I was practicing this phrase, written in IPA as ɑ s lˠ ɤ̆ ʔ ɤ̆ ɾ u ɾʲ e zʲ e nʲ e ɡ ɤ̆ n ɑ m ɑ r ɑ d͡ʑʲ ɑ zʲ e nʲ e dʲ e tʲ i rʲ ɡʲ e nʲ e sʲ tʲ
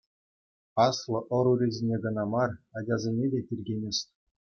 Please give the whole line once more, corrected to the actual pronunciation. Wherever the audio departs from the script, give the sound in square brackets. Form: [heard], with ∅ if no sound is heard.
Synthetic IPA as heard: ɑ s lˠ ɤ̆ ʔ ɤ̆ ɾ u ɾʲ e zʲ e nʲ e ɡ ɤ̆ n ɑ m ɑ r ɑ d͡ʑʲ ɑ zʲ e nʲ e dʲ e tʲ i rʲ ɡʲ e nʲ e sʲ tʲ